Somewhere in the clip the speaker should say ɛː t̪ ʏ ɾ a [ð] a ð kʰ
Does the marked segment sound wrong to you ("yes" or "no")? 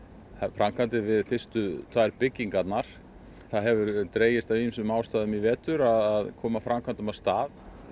no